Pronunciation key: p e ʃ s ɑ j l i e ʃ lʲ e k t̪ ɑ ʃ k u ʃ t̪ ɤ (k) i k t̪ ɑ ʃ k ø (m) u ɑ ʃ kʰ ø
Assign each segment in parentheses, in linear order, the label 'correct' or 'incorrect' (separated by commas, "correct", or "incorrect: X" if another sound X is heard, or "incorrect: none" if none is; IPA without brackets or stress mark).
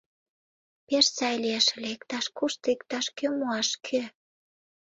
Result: incorrect: none, correct